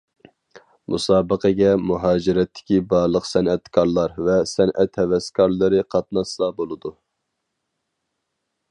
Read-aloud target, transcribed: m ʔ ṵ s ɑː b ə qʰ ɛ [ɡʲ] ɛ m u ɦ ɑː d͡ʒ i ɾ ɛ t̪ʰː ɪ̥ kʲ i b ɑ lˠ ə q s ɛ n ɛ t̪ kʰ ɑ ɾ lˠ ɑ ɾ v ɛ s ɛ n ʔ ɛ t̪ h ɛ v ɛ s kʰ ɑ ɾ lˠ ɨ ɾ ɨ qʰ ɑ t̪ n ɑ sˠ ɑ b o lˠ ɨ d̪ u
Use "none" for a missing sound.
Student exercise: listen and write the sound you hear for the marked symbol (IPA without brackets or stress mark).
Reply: ɡʲ